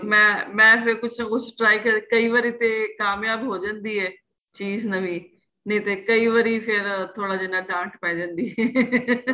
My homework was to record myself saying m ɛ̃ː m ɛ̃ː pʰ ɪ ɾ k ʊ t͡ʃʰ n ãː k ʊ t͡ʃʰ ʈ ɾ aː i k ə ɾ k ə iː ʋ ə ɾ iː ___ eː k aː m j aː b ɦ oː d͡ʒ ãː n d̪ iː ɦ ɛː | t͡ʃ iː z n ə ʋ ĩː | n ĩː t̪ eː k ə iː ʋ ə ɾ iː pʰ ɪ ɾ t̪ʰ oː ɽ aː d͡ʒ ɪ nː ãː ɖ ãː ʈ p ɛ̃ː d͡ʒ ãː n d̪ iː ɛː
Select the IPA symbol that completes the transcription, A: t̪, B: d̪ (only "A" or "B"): A